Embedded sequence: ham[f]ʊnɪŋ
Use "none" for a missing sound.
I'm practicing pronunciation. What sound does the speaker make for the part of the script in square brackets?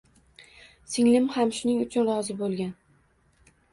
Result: ʃ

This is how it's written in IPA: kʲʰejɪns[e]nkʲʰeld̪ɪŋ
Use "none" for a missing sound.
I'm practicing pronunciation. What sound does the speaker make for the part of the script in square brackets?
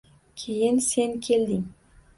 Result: e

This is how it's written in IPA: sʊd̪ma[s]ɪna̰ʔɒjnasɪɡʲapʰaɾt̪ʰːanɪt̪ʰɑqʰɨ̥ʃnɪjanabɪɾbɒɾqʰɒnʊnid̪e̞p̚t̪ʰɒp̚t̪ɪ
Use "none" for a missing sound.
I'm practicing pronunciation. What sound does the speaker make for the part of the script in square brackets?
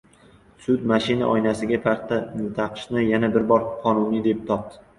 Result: ʃ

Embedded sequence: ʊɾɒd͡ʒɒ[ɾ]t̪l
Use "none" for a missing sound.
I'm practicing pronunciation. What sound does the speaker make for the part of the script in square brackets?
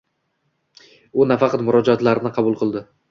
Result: none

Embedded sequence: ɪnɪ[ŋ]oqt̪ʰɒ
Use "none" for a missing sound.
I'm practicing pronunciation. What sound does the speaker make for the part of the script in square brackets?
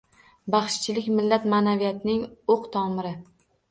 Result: ŋ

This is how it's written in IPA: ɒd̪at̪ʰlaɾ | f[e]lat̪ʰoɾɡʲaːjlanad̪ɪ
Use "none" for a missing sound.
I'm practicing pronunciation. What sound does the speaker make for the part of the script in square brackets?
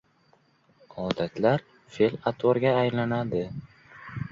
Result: e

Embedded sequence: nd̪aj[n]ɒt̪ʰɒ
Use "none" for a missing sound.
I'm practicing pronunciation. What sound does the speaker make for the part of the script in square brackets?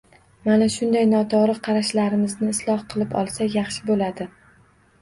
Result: n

